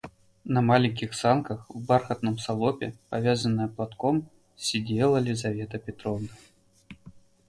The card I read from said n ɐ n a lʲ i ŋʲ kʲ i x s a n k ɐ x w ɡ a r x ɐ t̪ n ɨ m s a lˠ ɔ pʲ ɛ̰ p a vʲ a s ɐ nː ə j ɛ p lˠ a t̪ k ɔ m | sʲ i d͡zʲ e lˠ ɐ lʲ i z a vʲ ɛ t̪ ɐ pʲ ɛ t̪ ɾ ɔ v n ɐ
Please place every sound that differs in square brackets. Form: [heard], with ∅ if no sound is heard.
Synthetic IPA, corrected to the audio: n ɐ [m] a lʲ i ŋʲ kʲ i x s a n k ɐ x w [b] a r x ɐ t̪ n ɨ m s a lˠ ɔ pʲ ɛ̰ p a vʲ a [z] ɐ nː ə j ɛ p lˠ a t̪ k ɔ m | sʲ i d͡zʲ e lˠ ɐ lʲ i z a vʲ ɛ t̪ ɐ pʲ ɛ t̪ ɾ ɔ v n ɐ